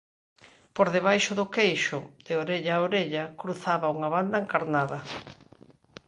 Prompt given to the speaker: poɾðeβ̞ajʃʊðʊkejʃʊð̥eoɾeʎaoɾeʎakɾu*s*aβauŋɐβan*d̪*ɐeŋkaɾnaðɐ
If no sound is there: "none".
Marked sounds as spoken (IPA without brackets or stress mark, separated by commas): θ, d̪